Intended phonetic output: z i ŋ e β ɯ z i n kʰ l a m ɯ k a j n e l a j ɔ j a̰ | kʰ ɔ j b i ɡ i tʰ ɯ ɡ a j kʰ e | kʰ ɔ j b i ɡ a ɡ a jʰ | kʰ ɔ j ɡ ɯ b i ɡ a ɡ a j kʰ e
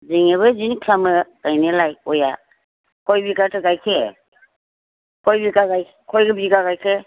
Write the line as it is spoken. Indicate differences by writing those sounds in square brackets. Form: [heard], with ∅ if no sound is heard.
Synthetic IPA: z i ŋ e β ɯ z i n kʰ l a m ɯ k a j n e l a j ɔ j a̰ | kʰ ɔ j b i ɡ [a] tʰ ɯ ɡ a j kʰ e | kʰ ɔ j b i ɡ a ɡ a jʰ | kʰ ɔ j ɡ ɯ b i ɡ a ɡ a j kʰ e